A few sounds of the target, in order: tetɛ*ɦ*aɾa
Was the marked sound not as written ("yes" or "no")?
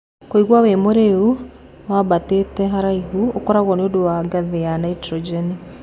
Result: no